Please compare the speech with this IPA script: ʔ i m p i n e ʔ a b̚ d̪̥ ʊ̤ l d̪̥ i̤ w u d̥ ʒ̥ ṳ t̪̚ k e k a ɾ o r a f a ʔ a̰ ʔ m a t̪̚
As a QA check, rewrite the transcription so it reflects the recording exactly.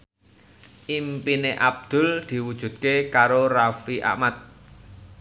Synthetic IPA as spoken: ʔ i m p i n e ʔ a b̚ d̪̥ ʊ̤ l d̪̥ i̤ w u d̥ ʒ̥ ṳ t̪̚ k e k a ɾ o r a f i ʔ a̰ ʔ m a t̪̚